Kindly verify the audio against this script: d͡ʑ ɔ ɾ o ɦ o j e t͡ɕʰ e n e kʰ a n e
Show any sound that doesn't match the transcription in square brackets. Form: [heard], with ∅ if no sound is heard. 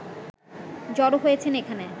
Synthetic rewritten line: d͡ʑ ɔ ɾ o ɦ o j e t͡ɕʰ e n e kʰ a n e